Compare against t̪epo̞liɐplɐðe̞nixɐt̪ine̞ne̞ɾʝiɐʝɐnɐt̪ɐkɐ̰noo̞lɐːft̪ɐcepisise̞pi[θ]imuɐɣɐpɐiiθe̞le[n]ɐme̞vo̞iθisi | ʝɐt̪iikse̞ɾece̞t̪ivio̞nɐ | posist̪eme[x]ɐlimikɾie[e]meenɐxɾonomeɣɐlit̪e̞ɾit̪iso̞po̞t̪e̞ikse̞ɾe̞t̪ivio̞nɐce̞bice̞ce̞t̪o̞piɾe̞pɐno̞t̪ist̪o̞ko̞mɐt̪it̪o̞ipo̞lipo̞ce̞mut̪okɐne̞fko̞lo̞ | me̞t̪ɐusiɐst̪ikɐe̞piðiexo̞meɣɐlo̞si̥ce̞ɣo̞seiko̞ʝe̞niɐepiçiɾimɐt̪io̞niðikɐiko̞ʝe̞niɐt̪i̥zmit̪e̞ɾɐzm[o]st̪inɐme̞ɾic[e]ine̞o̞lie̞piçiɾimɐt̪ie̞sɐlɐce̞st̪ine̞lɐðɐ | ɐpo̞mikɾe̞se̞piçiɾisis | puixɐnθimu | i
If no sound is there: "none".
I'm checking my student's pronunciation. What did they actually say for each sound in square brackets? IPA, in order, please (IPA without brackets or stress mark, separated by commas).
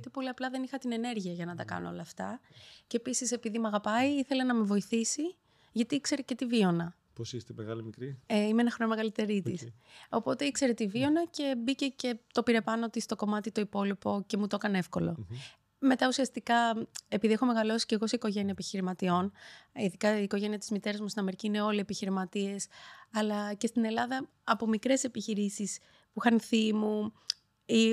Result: ð, n, ɣ, i, u, i